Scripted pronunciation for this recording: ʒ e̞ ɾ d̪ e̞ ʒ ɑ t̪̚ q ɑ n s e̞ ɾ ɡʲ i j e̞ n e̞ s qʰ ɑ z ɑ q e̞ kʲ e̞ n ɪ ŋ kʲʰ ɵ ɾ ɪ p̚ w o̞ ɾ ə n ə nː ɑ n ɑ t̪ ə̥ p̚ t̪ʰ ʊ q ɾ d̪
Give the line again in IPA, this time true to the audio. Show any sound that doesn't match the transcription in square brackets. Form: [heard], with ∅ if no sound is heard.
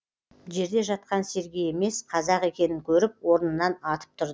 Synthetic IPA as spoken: ʒ e̞ ɾ d̪ e̞ ʒ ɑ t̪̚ q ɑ n s e̞ ɾ ɡʲ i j e̞ [m] e̞ s qʰ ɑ z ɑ q e̞ kʲ e̞ n ɪ ŋ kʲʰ ɵ ɾ ɪ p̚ w o̞ ɾ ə n ə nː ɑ n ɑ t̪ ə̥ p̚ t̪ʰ ʊ [∅] ɾ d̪

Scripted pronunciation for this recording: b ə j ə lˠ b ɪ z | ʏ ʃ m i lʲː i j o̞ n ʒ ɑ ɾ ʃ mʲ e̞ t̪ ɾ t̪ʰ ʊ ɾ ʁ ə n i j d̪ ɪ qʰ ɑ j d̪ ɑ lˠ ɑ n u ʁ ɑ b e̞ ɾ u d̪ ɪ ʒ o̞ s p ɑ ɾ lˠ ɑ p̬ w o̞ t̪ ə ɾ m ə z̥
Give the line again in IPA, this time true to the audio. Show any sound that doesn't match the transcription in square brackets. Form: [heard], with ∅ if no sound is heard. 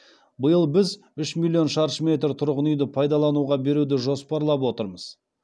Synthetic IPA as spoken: b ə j ə lˠ b ɪ z | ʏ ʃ m i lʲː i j o̞ n [ʃ] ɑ ɾ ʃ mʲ e̞ t̪ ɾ t̪ʰ ʊ ɾ ʁ ə n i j d̪ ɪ [pʰ] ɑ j d̪ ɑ lˠ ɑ n u ʁ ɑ b e̞ ɾ u d̪ ɪ ʒ o̞ s p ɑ ɾ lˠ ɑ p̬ w o̞ t̪ ə ɾ m ə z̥

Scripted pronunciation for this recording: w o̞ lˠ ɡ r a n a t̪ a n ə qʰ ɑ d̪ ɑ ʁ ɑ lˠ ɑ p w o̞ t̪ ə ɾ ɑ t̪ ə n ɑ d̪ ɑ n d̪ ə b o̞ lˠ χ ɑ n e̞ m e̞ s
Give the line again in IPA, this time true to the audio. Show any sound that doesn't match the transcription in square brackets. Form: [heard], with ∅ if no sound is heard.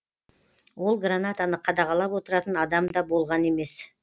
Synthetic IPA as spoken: w o̞ lˠ ɡ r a n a t̪ a n ə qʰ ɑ d̪ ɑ ʁ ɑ lˠ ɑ p w o̞ t̪ ə ɾ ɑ t̪ ə n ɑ d̪ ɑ [m] d̪ [ɑ] b o̞ lˠ [ʁ] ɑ n e̞ m e̞ s

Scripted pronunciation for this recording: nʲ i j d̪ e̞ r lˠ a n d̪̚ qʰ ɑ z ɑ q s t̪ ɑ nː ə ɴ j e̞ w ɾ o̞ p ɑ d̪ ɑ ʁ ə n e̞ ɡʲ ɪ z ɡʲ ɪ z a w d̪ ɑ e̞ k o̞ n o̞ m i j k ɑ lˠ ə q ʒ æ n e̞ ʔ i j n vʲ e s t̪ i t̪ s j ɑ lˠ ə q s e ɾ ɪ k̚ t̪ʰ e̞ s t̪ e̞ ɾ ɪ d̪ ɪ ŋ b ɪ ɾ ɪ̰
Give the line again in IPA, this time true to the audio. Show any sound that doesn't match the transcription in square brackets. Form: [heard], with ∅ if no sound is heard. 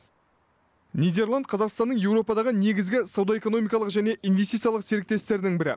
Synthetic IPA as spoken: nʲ i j d̪ e̞ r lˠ a n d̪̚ qʰ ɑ z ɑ q s t̪ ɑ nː ə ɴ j e̞ w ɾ o̞ p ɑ d̪ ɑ ʁ ə n e̞ ɡʲ ɪ z ɡʲ ɪ [s] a w d̪ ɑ e̞ k o̞ n o̞ m i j k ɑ lˠ ə q ʒ æ n e̞ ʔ i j n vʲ e s t̪ i t̪ s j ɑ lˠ ə q s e ɾ ɪ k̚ [t̪] e̞ s t̪ e̞ ɾ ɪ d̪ ɪ ŋ b ɪ ɾ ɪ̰

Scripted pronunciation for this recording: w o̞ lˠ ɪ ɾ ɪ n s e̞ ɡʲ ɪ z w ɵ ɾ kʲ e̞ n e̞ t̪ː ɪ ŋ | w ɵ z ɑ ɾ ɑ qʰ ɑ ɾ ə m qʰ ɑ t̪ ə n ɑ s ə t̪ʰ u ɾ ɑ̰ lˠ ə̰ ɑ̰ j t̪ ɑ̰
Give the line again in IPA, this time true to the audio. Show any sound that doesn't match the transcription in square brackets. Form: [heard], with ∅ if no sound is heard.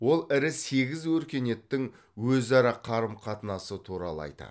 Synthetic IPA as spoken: w o̞ lˠ ɪ ɾ ɪ [∅] s e̞ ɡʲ ɪ z w ɵ ɾ kʲ e̞ n e̞ t̪ː ɪ ŋ | w ɵ z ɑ ɾ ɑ qʰ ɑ ɾ ə m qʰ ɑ t̪ ə n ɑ s ə t̪ʰ u ɾ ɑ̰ lˠ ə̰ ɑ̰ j t̪ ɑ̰

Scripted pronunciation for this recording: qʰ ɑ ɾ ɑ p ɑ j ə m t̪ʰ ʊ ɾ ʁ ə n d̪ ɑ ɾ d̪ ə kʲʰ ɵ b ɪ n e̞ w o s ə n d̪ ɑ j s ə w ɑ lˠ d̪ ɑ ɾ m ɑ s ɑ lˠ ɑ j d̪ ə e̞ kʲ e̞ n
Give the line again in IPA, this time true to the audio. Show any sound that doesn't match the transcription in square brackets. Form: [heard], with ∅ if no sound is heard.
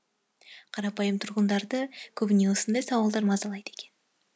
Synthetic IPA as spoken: qʰ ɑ ɾ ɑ p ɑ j ə m t̪ʰ ʊ ɾ ʁ ə n d̪ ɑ ɾ d̪ ə kʲʰ ɵ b ɪ n e̞ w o s ə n d̪ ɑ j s [ɑ] w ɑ lˠ d̪ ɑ ɾ m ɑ [z] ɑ lˠ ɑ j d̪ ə e̞ kʲ e̞ n

